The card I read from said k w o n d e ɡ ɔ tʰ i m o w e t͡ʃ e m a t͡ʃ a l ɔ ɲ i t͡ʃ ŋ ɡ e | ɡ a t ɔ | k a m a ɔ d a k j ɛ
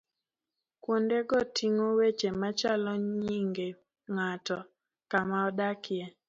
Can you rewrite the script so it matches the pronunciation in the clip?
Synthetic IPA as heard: k w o n d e ɡ ɔ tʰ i ŋ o w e t͡ʃ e m a t͡ʃ a l ɔ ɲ i ŋ ɡ e | ŋ a t ɔ | k a m a ɔ d a k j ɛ